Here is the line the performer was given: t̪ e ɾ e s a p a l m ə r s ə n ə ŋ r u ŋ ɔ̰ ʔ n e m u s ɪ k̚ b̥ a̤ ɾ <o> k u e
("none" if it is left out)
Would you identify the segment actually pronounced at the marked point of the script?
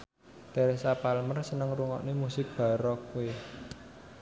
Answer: ɔ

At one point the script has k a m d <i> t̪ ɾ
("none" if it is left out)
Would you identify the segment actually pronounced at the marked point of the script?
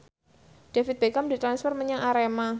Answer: i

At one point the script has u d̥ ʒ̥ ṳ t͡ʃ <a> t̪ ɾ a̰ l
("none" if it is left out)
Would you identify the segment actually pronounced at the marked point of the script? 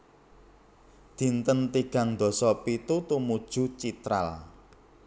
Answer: i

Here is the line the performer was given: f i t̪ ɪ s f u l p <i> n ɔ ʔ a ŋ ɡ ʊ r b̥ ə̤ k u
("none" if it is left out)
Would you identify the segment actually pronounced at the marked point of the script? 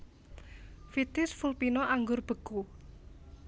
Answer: i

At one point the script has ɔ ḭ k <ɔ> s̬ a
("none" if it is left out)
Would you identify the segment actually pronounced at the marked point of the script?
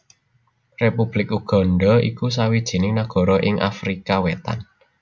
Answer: u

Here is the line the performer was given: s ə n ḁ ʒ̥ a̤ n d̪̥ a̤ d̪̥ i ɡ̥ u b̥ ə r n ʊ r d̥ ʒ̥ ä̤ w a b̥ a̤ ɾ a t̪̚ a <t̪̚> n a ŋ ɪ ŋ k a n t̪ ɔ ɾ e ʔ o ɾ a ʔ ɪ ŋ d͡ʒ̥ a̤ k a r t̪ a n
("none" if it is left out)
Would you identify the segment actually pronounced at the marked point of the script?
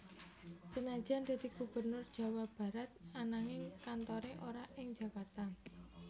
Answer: none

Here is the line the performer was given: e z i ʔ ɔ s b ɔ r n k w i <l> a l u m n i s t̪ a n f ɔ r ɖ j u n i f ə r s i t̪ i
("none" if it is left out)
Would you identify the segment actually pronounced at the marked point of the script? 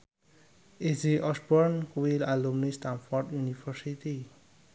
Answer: l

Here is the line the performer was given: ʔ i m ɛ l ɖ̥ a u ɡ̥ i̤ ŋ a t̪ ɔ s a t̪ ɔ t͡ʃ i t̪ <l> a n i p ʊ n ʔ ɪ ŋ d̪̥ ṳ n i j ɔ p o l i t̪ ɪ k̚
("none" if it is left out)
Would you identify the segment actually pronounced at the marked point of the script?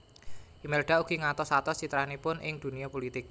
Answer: ɾ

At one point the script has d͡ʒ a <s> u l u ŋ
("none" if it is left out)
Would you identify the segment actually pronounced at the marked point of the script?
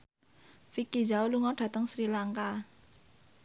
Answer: none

